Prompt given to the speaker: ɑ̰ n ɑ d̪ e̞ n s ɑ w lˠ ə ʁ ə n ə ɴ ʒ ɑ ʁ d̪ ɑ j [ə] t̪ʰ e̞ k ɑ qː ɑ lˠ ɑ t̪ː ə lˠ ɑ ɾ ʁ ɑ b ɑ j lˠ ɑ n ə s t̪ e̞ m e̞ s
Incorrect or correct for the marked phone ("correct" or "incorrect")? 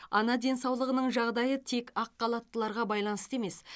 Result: correct